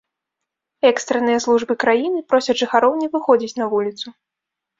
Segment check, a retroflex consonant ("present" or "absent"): present